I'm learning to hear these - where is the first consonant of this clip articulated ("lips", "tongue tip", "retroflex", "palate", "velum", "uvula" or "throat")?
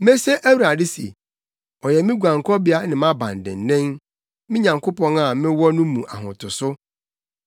lips